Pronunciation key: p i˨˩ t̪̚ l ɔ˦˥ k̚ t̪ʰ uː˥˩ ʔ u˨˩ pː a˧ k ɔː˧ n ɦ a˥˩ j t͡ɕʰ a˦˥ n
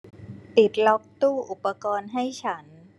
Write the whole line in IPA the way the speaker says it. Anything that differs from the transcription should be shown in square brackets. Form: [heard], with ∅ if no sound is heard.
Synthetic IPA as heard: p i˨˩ t̪̚ l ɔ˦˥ k̚ [t̪] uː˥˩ ʔ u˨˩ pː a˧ k ɔː˧ n ɦ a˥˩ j t͡ɕʰ a˦˥ n